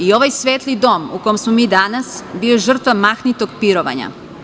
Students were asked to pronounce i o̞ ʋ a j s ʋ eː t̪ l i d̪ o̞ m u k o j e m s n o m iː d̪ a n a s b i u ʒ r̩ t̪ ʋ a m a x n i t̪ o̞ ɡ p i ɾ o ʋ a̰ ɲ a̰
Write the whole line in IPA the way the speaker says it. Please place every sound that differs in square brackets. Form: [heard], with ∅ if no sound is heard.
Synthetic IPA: i o̞ ʋ a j s ʋ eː t̪ l i d̪ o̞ m u k o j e m s [m] o m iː d̪ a n a s b i [o] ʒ r̩ t̪ ʋ a m a x n i t̪ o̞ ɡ p i ɾ o ʋ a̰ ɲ a̰